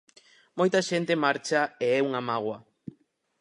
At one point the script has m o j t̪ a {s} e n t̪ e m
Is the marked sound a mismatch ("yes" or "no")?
yes